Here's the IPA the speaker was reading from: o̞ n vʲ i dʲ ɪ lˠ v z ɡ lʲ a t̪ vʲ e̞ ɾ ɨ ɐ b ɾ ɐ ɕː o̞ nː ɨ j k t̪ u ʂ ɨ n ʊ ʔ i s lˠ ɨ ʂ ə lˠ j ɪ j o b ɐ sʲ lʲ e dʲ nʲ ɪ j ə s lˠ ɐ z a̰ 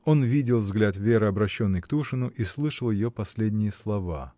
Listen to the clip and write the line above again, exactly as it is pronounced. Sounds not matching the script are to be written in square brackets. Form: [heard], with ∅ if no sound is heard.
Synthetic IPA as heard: o̞ n vʲ i dʲ ɪ lˠ v z ɡ lʲ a t̪ vʲ e̞ ɾ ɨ ɐ b ɾ ɐ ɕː o̞ nː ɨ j k t̪ u ʂ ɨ n ʊ ʔ i s lˠ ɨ ʂ ə lˠ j ɪ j o [p] ɐ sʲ lʲ e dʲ nʲ ɪ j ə s lˠ ɐ [v] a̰